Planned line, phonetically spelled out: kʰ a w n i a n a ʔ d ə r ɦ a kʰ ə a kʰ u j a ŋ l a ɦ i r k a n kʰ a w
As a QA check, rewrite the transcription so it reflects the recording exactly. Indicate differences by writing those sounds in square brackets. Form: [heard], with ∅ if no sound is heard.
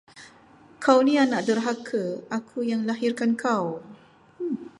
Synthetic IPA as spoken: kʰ a w n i a n a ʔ d ə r ɦ a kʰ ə a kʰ u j a ŋ l a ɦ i r k a n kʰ a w